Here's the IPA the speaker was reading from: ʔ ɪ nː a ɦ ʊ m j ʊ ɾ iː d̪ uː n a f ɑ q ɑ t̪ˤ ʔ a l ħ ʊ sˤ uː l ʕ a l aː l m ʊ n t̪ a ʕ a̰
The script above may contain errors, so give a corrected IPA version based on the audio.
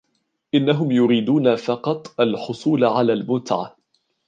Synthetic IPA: ʔ ɪ nː a ɦ ʊ m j ʊ ɾ iː d̪ uː n a f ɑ q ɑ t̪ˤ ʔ a l ħ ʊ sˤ uː l ʕ a l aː l m ʊ n t̪ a ʕ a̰

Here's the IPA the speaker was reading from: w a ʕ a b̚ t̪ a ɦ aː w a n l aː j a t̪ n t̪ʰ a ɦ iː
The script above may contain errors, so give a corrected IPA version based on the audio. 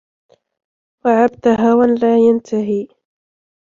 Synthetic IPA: w a ʕ a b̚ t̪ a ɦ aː w a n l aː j a n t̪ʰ a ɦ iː

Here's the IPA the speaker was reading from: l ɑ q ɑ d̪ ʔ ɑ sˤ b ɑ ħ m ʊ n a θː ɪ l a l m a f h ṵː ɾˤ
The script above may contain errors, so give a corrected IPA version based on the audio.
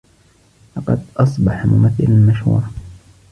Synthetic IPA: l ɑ q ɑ d̪ ʔ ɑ sˤ b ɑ ħ m ʊ m a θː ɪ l a l m a ʃ h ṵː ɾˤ

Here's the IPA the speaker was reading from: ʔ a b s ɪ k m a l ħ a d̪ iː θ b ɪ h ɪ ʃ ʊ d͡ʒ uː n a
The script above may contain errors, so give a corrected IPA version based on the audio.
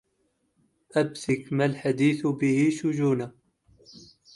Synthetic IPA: ʔ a b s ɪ k m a l ħ a d̪ iː θ b ɪ h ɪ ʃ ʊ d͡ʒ uː n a

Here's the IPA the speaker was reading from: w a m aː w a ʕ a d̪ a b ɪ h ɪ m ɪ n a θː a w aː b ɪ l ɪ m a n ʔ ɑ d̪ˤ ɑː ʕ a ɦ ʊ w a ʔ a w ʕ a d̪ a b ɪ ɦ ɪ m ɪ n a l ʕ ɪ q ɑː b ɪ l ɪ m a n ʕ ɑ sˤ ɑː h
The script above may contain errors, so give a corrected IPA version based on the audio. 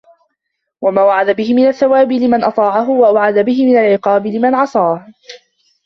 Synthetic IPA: w a m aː w a ʕ a d̪ a b ɪ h ɪ m ɪ n a θː a w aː b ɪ l ɪ m a n ʔ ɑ t̪ˤ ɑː ʕ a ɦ ʊ w a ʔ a w ʕ a d̪ a b ɪ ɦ ɪ m ɪ n a l ʕ ɪ q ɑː b ɪ l ɪ m a n ʕ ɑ sˤ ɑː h

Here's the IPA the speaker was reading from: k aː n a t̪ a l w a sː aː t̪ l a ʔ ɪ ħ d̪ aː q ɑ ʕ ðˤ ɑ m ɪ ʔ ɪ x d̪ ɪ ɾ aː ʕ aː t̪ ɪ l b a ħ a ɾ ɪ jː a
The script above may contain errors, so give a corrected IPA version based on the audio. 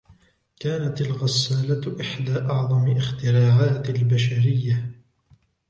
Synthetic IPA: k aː n a t̪ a l ɣ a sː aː l a ʔ ɪ ħ d̪ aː ʔ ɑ ʕ ðˤ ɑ m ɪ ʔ ɪ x t̪ ɪ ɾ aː ʕ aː t̪ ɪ l b a ʃ a ɾ ɪ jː a

